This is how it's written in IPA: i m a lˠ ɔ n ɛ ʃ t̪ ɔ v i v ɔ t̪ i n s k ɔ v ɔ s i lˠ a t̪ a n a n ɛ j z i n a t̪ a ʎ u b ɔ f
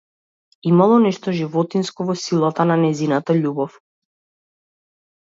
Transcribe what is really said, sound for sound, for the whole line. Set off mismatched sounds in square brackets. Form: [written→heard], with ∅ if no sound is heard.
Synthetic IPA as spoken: i m a lˠ ɔ n ɛ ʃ t̪ ɔ [v→ʒ] i v ɔ t̪ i n s k ɔ v ɔ s i lˠ a t̪ a n a n ɛ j z i n a t̪ a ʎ u b ɔ f